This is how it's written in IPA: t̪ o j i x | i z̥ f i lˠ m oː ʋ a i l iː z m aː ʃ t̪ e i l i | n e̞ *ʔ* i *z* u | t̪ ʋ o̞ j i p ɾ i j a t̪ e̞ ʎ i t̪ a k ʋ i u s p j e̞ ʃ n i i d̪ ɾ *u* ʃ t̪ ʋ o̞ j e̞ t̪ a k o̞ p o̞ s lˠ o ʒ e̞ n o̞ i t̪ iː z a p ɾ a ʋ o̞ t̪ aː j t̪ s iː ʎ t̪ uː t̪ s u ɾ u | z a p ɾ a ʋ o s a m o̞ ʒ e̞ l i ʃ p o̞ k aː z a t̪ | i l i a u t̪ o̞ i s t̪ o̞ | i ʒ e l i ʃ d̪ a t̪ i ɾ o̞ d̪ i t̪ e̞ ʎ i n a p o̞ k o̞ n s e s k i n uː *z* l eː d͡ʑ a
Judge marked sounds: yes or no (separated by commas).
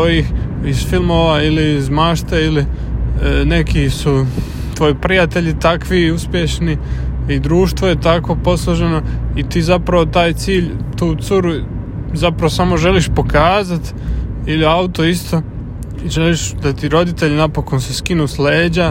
no, no, no, no